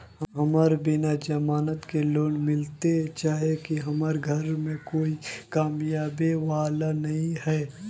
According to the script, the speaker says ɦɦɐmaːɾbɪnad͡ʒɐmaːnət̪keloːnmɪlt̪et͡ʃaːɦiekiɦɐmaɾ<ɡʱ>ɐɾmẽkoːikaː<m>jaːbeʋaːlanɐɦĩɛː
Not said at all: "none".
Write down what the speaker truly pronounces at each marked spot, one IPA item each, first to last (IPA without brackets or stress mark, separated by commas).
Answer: ɡʱ, m